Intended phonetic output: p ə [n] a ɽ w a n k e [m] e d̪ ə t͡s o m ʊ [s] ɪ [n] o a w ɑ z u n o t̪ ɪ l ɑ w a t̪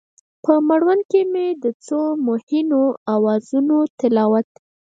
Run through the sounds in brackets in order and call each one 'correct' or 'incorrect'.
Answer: incorrect: m, correct, incorrect: h, correct

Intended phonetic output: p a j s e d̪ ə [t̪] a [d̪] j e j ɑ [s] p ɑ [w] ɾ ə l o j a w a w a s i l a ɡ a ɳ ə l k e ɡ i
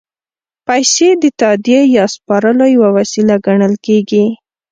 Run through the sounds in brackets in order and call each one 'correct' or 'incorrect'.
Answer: correct, correct, correct, incorrect: none

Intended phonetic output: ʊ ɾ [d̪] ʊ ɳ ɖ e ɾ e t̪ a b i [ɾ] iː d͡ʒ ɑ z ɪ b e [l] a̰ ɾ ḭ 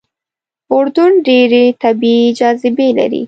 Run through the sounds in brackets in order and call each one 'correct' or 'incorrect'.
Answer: correct, incorrect: none, correct

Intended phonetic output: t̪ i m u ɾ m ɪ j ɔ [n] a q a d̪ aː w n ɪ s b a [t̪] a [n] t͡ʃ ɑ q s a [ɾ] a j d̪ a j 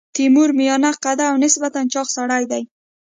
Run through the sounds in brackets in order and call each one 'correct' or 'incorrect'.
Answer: correct, correct, correct, incorrect: ɽ

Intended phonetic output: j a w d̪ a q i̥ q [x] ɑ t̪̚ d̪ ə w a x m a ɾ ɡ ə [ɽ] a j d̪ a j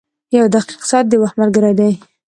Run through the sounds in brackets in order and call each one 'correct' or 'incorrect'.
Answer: incorrect: s, incorrect: ɾ

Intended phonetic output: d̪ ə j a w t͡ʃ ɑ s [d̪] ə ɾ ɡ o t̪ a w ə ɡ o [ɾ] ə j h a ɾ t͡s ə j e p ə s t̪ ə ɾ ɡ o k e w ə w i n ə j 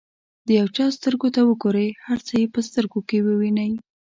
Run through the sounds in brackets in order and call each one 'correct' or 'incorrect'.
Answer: incorrect: t̪, correct

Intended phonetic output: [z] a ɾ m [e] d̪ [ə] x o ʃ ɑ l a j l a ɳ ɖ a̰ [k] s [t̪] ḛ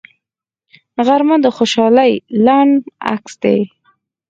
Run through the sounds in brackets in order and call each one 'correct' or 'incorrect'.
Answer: incorrect: ɣ, incorrect: a, correct, correct, incorrect: d̪

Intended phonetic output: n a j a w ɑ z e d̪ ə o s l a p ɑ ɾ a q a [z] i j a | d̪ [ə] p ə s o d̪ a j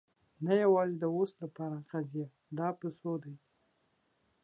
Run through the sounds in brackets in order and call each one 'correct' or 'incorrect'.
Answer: correct, incorrect: ɑ

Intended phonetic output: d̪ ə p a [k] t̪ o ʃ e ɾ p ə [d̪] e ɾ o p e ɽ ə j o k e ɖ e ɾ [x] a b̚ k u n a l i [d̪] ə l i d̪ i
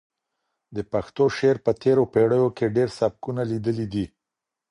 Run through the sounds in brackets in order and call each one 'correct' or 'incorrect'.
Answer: incorrect: x, incorrect: t̪, incorrect: s, correct

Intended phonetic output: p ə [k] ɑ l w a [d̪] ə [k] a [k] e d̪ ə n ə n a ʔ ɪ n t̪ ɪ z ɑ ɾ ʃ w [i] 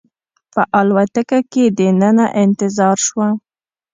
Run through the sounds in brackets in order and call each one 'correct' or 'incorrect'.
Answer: incorrect: ʔ, incorrect: t̪, correct, correct, incorrect: a

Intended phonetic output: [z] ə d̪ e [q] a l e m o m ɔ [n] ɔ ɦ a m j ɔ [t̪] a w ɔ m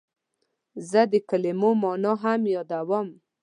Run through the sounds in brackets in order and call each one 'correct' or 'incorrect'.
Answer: correct, incorrect: k, correct, incorrect: d̪

